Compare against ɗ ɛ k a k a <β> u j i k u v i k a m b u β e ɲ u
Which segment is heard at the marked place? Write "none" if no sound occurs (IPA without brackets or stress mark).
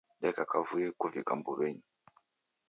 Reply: v